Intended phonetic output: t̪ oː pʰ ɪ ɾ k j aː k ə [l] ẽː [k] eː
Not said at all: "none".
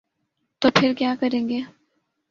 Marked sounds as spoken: ɾ, ɡ

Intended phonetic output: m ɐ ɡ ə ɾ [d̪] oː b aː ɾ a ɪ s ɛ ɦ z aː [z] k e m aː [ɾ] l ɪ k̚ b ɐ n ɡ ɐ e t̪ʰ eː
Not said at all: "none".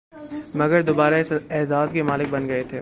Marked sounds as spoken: d̪, z, none

